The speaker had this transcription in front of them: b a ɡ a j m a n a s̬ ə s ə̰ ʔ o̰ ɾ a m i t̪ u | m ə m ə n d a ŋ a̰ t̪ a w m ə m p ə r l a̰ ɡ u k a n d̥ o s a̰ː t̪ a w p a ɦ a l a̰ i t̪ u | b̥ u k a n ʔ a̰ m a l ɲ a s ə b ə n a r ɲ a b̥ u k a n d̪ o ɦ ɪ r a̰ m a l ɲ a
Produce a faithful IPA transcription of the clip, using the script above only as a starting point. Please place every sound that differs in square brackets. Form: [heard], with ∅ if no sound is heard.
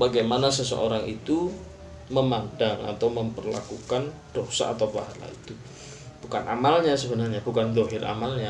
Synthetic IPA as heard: b a ɡ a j m a n a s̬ ə s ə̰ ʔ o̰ ɾ a [ŋ] i t̪ u | m ə m [a] n d a ŋ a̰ t̪ a w m ə m p ə r l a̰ [k] u k a n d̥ o s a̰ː t̪ a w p a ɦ a l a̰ i t̪ u | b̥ u k a n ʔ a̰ m a l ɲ a s ə b ə n a r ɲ a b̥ u k a n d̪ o ɦ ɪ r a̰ m a l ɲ a